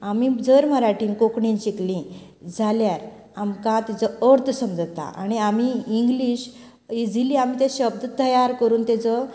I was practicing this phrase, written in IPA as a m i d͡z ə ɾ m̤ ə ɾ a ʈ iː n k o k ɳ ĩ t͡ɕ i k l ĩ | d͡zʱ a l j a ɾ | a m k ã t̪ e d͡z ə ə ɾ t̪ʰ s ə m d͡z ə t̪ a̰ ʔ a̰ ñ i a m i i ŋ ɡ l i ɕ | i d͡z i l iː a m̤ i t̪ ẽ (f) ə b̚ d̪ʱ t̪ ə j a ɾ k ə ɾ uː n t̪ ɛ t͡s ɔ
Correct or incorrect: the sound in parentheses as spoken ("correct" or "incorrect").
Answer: incorrect